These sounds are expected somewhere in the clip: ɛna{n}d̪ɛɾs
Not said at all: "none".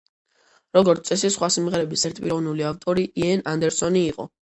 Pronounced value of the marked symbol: n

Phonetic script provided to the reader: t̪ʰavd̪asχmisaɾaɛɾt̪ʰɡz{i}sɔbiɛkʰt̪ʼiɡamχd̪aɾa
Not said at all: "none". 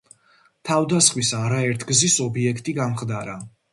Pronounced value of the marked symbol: i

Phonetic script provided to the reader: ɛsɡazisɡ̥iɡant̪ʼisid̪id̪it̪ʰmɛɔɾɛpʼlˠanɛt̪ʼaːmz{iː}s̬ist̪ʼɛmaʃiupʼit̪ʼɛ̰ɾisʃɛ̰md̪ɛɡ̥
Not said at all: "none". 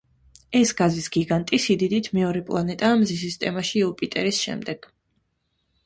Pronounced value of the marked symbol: i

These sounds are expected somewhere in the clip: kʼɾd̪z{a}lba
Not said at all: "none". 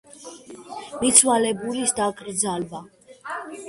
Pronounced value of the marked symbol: a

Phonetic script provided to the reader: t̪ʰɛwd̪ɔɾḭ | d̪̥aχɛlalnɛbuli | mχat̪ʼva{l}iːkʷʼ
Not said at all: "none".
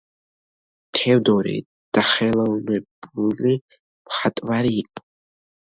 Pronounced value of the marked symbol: ɾ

